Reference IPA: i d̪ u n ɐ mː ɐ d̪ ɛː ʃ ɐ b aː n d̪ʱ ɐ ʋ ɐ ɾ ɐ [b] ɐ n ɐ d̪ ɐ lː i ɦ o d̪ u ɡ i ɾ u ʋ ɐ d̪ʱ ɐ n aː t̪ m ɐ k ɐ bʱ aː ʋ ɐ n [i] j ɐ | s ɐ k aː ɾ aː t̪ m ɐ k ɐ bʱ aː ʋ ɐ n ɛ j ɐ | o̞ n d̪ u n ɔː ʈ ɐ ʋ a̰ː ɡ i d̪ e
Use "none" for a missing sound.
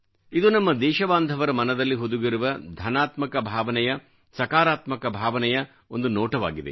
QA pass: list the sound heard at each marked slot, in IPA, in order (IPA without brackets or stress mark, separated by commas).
m, ɛ